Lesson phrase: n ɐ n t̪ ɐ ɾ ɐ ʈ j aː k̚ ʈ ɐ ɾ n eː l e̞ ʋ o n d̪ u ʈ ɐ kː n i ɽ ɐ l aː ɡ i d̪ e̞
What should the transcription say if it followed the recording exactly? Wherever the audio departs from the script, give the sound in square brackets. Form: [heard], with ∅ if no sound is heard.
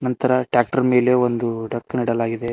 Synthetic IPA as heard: n ɐ n t̪ ɐ ɾ ɐ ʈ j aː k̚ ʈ ɐ ɾ [m] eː l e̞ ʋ o n d̪ u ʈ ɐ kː n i ɽ ɐ l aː ɡ i d̪ e̞